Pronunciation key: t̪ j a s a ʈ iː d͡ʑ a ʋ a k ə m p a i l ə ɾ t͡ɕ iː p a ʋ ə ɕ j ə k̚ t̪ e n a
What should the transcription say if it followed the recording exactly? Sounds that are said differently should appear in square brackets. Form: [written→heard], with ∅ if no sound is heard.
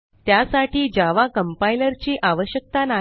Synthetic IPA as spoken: t̪ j a s a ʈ iː d͡ʑ a ʋ a k ə m p a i l ə ɾ t͡ɕ iː [p→ʔ] a ʋ ə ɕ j ə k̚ t̪ [e→a] n a